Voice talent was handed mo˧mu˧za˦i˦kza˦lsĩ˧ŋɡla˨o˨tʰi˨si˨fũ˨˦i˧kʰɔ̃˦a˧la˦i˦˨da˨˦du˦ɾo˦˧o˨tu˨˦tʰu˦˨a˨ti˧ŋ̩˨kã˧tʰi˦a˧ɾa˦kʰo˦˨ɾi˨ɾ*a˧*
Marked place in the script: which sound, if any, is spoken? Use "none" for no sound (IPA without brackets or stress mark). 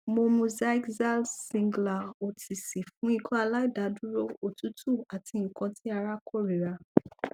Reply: a˧